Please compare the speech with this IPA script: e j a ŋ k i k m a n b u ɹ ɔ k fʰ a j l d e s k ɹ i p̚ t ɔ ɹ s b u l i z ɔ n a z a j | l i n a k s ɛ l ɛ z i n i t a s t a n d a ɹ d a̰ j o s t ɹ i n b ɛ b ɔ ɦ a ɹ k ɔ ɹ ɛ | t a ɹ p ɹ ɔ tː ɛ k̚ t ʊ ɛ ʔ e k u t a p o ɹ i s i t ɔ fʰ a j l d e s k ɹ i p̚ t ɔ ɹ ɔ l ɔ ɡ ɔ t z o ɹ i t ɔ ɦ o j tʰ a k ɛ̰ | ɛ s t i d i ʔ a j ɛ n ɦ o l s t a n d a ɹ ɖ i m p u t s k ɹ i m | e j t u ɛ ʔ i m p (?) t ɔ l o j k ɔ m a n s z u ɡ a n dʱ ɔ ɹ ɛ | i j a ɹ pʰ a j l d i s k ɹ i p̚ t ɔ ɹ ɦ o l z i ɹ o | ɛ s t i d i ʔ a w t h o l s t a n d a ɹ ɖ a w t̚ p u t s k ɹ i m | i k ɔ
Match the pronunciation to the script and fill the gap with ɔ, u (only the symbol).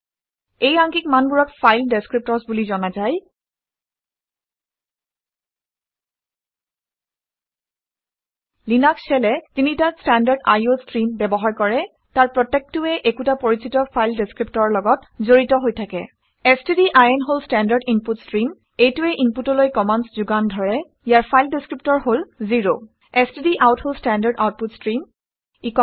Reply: u